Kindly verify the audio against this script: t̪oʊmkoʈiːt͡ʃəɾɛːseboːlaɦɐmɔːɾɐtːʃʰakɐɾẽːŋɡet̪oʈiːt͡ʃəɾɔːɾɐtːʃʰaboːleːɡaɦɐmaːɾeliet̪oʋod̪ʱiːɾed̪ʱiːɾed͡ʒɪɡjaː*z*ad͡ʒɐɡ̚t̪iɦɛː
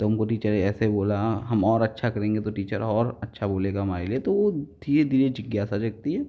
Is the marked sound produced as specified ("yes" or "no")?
no